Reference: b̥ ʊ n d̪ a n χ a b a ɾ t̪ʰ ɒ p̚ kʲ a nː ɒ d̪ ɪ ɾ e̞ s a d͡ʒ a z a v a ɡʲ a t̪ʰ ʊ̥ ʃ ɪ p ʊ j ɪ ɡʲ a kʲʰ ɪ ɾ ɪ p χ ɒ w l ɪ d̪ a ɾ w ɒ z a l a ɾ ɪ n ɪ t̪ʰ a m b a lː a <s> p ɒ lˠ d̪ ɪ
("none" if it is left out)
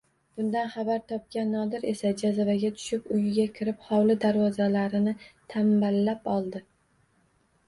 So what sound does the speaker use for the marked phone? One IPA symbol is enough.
none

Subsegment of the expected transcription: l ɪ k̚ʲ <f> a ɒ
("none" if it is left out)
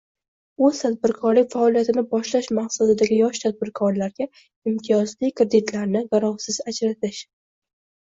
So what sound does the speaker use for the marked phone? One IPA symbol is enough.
f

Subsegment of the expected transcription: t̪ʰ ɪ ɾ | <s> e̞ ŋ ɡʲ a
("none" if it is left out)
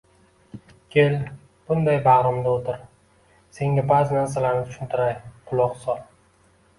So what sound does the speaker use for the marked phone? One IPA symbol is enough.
s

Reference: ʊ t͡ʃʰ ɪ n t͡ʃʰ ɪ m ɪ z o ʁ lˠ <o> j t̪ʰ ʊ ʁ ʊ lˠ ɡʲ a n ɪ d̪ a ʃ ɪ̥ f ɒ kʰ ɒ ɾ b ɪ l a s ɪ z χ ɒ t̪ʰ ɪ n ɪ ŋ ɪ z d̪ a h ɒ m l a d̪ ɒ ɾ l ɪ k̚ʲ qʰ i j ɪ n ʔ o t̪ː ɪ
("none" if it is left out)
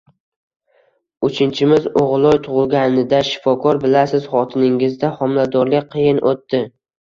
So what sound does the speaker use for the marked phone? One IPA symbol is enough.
ɒ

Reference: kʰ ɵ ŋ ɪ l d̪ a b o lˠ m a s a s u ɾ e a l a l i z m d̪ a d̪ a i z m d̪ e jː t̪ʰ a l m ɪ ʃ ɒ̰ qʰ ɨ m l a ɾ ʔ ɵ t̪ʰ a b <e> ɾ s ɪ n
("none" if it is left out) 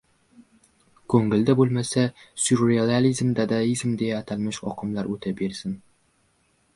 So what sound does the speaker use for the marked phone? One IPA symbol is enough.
e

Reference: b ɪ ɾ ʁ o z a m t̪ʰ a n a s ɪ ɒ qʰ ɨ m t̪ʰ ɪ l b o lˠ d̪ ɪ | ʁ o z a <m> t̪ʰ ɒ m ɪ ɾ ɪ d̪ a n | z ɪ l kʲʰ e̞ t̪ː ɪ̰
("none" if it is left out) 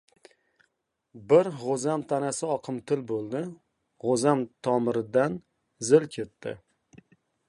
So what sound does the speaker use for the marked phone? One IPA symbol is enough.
m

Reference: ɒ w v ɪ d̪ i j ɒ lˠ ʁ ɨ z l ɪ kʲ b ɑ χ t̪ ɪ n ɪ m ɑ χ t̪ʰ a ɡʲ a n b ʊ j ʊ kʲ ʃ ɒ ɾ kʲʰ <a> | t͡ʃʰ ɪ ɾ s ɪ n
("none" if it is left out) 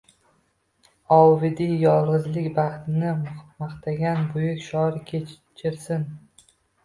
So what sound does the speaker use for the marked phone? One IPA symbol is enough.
e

